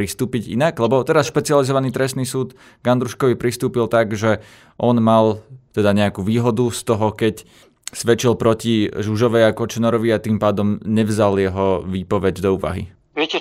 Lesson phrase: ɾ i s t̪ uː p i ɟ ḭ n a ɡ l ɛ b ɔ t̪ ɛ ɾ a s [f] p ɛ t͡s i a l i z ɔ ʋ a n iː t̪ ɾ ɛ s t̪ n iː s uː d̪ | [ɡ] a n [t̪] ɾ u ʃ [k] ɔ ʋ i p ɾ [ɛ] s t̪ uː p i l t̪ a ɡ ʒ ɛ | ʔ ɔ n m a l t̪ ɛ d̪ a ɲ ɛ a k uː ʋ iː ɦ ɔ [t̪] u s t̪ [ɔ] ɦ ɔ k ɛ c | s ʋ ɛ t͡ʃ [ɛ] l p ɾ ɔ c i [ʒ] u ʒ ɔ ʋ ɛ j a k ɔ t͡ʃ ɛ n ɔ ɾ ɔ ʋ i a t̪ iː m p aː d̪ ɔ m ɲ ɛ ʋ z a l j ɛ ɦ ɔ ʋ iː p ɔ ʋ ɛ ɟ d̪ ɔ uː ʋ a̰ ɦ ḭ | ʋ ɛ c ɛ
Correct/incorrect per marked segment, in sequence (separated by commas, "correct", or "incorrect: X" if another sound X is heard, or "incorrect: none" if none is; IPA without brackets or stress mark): incorrect: ʃ, correct, incorrect: d̪, correct, incorrect: i, incorrect: d̪, correct, incorrect: i, correct